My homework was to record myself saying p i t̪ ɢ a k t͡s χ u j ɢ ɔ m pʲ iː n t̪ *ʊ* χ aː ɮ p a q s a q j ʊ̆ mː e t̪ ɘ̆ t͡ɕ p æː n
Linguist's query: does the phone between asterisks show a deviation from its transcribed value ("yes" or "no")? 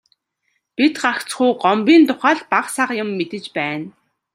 no